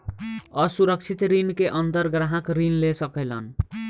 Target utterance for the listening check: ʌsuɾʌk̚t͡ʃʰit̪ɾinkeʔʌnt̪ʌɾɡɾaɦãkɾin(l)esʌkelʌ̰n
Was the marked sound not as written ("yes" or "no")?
no